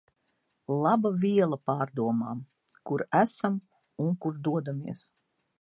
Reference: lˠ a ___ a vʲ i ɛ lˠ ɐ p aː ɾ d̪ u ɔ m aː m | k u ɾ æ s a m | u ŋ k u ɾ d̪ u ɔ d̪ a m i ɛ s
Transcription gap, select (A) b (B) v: A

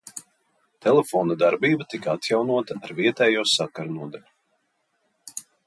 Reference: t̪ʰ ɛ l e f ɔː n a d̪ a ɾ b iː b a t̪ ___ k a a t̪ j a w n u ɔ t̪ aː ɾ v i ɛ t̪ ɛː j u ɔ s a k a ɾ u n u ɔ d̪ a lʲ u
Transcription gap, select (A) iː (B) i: B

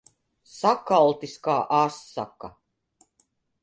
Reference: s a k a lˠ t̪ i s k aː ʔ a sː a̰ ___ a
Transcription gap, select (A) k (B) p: A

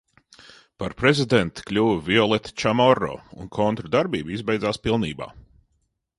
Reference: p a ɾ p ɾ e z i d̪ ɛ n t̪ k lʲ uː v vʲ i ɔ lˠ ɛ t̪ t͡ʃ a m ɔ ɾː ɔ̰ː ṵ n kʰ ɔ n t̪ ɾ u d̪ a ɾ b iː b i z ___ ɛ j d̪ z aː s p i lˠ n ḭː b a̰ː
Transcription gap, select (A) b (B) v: A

